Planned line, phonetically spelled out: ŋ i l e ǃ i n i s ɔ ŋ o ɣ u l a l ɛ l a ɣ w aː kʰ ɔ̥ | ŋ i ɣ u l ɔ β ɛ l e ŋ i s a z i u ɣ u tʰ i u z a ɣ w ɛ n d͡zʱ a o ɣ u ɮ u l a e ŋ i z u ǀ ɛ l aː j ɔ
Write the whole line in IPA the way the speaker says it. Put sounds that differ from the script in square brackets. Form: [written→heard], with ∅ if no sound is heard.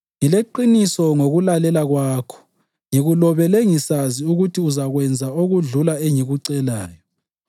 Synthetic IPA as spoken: ŋ i l e ǃ i n i s ɔ ŋ o ɣ u l a l ɛ l a ɣ w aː kʰ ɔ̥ | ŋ i ɣ u l ɔ β ɛ l e ŋ i s a z i u ɣ u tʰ i u z a ɣ w ɛ n d͡zʱ a o ɣ u ɮ u l a e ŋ i [z→ɣ] u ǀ ɛ l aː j ɔ

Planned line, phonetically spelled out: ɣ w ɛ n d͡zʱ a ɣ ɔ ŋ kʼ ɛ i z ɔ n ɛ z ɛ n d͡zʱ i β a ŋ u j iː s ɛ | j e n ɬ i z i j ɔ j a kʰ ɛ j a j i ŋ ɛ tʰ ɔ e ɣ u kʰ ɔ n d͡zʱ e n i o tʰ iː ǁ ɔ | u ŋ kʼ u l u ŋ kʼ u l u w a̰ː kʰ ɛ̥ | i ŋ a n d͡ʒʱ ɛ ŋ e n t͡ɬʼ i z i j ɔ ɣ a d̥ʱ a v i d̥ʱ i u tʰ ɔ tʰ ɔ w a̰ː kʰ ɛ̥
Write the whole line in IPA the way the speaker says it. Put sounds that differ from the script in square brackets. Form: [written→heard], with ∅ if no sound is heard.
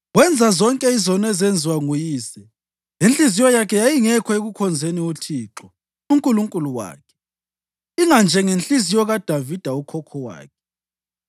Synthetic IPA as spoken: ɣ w ɛ n d͡zʱ a [ɣ→z] ɔ ŋ kʼ ɛ i z ɔ n ɛ z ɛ n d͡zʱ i [β→w] a ŋ u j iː s ɛ | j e n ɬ i z i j ɔ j a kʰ ɛ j a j i ŋ ɛ [tʰ→kʰ] ɔ e ɣ u kʰ ɔ n d͡zʱ e n i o tʰ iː ǁ ɔ | u ŋ kʼ u l u ŋ kʼ u l u w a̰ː kʰ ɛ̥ | i ŋ a n d͡ʒʱ ɛ ŋ e n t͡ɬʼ i z i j ɔ ɣ a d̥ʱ a v i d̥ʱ [i→a] u [tʰ→kʰ] ɔ [tʰ→kʰ] ɔ w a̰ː kʰ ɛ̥

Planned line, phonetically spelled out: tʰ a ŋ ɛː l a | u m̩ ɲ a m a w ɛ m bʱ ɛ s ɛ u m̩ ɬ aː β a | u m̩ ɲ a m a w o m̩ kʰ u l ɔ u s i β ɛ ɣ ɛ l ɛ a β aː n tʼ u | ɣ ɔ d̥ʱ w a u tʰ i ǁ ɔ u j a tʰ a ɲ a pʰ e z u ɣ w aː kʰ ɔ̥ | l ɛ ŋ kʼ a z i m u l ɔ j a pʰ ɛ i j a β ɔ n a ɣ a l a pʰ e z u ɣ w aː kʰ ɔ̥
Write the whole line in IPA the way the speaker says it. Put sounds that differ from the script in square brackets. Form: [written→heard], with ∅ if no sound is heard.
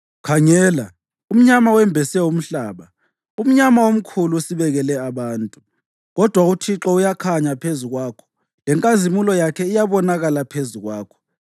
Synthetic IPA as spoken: [tʰ→kʰ] a ŋ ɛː l a | u m̩ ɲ a m a w ɛ m bʱ ɛ s ɛ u m̩ ɬ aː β a | u m̩ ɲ a m a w o m̩ kʰ u l [ɔ→u] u s i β ɛ ɣ ɛ l ɛ a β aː n tʼ u | ɣ ɔ d̥ʱ w a u tʰ i ǁ ɔ u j a [tʰ→kʰ] a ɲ a pʰ e z u ɣ w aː kʰ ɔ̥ | l ɛ ŋ kʼ a z i m u l ɔ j a [pʰ→kʰ] ɛ i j a β ɔ n a ɣ a l a pʰ e z u ɣ w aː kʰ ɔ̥

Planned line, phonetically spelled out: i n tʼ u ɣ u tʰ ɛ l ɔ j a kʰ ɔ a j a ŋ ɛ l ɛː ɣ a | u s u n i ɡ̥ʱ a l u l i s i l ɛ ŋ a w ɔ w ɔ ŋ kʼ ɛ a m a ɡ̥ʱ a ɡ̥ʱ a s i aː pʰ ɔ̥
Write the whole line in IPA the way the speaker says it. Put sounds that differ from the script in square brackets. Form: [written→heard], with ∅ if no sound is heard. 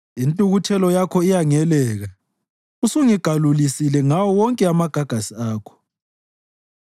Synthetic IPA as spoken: i n tʼ u ɣ u tʰ ɛ l ɔ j a kʰ ɔ [a→i] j a ŋ ɛ l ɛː ɣ a | u s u [n→ŋ] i ɡ̥ʱ a l u l i s i l ɛ ŋ a w ɔ w ɔ ŋ kʼ ɛ a m a ɡ̥ʱ a ɡ̥ʱ a s i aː [pʰ→kʰ] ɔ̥

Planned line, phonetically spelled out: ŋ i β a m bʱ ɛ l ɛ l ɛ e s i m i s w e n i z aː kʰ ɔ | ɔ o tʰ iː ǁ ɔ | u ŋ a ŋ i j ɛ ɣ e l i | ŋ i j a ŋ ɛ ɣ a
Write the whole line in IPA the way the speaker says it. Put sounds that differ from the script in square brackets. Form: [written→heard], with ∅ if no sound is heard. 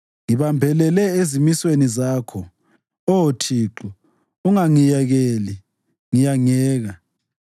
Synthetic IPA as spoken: ŋ i β a m bʱ ɛ l ɛ l ɛ e [s→z] i m i s w e n i z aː kʰ ɔ | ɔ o tʰ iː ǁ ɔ | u ŋ a ŋ i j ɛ ɣ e l i | ŋ i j a ŋ [ɛ→ɛː] ɣ a

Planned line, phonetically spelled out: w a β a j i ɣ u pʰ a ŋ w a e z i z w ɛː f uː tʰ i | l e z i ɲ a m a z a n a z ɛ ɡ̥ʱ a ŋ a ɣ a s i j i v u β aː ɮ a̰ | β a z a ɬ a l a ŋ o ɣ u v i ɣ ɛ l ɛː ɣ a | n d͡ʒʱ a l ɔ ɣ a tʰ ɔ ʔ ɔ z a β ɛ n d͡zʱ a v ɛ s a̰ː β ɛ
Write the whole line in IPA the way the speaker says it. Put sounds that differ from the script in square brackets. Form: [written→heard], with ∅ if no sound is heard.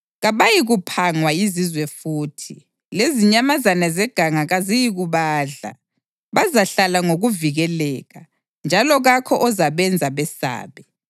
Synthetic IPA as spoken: [w→ɣ] a β a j i ɣ u pʰ a ŋ w a [e→i] z i z w [ɛː→ɛ] f uː tʰ i | l e z i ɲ a m a z a n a z ɛ ɡ̥ʱ a ŋ a ɣ a [s→z] i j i [v→ɣ] u β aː ɮ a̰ | β a z a ɬ a l a ŋ o ɣ u v i ɣ ɛ l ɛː ɣ a | n d͡ʒʱ a l ɔ ɣ a [tʰ→kʰ] ɔ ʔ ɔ z a β ɛ n d͡zʱ a [v→β] ɛ s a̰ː β ɛ

